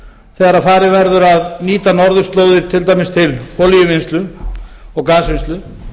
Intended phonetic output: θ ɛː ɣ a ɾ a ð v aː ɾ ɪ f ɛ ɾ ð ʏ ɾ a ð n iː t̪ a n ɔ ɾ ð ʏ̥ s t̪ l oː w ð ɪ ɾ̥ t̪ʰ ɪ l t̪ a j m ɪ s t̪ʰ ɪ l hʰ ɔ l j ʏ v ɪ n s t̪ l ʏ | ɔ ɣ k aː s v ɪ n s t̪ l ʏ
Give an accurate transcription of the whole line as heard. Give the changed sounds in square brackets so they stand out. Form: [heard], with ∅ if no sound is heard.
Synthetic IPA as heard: θ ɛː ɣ a ɾ a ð [f] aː ɾ ɪ [v] ɛ ɾ ð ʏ ɾ a ð n iː t̪ a n ɔ ɾ ð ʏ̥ s t̪ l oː w ð ɪ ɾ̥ t̪ʰ ɪ l t̪ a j m ɪ s t̪ʰ ɪ l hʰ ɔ l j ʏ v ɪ n s t̪ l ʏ | ɔ ɣ k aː s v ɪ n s t̪ l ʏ